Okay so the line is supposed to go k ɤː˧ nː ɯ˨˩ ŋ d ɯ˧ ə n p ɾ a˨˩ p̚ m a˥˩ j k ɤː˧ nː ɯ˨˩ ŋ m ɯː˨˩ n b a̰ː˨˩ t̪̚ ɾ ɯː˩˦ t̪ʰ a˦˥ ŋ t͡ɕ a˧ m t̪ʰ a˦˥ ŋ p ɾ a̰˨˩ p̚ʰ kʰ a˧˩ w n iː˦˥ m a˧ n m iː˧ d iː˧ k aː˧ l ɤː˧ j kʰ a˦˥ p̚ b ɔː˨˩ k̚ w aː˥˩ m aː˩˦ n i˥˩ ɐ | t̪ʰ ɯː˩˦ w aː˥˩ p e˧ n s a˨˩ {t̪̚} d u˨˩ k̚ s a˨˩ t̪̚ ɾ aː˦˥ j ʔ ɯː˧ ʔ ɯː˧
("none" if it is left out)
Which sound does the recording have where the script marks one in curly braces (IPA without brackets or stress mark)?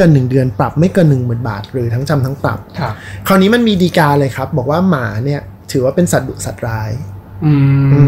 t̪̚